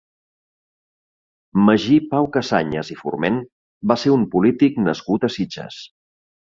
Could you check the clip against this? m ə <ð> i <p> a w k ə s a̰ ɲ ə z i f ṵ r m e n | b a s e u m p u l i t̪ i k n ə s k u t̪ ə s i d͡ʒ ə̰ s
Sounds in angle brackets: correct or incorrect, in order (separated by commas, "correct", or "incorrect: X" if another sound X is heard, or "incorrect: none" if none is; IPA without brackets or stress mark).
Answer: incorrect: ʒ, correct